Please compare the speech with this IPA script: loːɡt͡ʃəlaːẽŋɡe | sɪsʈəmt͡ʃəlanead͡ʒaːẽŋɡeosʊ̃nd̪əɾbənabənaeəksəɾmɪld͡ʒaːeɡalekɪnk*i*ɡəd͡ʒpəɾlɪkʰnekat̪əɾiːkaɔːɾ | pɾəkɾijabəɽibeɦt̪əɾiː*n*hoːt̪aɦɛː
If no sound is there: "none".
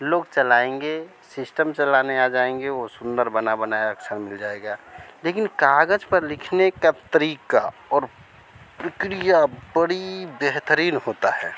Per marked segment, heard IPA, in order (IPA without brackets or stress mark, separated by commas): a, n